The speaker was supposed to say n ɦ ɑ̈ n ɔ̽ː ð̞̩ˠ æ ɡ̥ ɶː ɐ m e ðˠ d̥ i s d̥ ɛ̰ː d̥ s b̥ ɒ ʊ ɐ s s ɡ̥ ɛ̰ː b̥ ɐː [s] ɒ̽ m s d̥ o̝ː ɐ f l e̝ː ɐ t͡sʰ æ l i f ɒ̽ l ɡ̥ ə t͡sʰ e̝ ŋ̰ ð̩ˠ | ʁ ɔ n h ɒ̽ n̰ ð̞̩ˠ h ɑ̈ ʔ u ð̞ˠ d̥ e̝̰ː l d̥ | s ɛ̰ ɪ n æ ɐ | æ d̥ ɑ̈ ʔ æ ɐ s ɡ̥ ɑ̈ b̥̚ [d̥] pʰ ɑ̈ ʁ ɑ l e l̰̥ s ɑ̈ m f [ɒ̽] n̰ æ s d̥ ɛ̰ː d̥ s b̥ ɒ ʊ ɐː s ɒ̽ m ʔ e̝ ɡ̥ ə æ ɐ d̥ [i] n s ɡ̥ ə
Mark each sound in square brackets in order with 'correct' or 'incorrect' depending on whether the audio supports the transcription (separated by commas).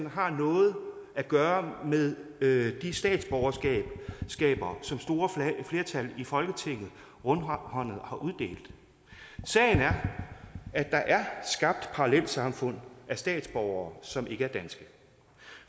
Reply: correct, correct, incorrect, incorrect